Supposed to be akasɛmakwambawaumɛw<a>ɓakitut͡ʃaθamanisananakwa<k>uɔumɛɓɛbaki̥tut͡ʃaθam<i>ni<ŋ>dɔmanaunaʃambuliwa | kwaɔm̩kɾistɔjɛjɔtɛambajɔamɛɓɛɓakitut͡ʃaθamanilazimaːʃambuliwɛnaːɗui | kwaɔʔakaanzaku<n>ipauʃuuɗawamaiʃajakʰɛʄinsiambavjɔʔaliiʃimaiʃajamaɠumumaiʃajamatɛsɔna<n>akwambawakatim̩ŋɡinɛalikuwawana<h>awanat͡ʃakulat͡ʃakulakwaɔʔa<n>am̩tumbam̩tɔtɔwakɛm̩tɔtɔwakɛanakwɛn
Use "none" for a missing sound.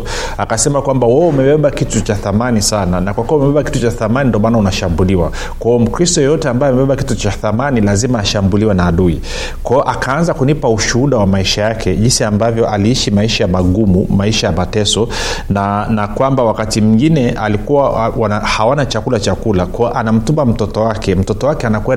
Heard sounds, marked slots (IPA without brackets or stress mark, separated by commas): ɛ, k, a, n, n, n, h, n